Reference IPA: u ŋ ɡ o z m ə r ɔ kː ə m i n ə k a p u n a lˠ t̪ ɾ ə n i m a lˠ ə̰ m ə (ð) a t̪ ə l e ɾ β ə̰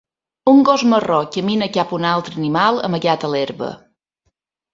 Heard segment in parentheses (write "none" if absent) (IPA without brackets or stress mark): ɣ